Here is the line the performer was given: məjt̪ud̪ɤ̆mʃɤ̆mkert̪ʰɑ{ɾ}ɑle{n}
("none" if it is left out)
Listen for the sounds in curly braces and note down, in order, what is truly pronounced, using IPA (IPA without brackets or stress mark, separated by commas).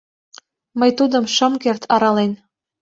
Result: ɾ, n